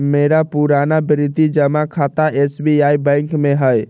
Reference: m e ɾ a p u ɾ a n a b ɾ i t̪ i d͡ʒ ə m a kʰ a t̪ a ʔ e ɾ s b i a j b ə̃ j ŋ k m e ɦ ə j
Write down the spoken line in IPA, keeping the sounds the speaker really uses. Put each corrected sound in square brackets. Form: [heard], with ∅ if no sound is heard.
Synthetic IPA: m e ɾ a p u ɾ a n a b ɾ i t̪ i d͡ʒ ə m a kʰ a t̪ a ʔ e [∅] s b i a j b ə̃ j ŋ k m e ɦ ə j